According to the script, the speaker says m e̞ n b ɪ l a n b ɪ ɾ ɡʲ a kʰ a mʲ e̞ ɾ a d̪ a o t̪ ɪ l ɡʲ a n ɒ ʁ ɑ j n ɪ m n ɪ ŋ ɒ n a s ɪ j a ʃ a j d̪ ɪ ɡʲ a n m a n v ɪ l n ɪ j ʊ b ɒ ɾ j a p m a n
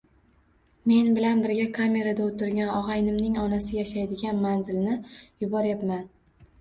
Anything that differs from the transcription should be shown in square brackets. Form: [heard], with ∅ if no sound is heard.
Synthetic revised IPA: m e̞ n b ɪ l a n b ɪ ɾ ɡʲ a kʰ a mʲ e̞ ɾ a d̪ a o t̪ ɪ [ɾ] ɡʲ a n ɒ ʁ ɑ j n ɪ m n ɪ ŋ ɒ n a s ɪ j a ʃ a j d̪ ɪ ɡʲ a n m a n [z] ɪ l n ɪ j ʊ b ɒ ɾ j a p m a n